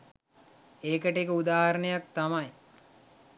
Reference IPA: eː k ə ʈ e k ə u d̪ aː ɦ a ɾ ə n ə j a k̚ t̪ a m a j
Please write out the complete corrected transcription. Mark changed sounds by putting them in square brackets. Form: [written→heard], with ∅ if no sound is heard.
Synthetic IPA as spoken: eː k ə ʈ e k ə u d̪ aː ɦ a ɾ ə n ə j a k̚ t̪ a m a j